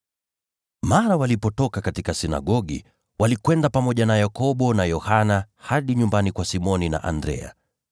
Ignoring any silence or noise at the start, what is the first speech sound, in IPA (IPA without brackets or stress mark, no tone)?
m